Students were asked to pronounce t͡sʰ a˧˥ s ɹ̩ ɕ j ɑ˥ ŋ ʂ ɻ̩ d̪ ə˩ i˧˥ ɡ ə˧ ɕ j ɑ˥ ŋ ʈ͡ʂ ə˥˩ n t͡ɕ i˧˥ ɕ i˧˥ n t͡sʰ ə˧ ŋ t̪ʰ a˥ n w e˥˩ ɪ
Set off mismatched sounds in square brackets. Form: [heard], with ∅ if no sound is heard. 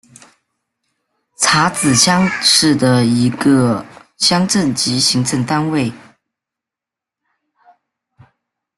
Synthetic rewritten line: t͡sʰ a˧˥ [t͡s] ɹ̩ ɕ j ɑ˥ ŋ ʂ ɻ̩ d̪ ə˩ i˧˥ ɡ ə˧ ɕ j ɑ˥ ŋ ʈ͡ʂ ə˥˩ n t͡ɕ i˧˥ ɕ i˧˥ [ŋ] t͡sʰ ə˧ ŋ [t̪] a˥ n w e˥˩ ɪ